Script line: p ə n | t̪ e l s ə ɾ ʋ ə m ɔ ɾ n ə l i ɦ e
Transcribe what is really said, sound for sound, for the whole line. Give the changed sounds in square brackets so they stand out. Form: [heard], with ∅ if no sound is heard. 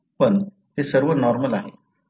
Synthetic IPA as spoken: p ə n | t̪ e [∅] s ə ɾ ʋ ə [n] ɔ ɾ [m] ə l [a] ɦ e